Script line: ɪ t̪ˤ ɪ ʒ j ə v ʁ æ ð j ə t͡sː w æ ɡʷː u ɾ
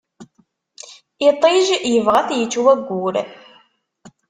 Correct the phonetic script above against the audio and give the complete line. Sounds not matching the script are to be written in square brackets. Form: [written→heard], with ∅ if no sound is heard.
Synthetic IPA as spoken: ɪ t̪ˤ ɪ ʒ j ə v ʁ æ [ð→θ] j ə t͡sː w æ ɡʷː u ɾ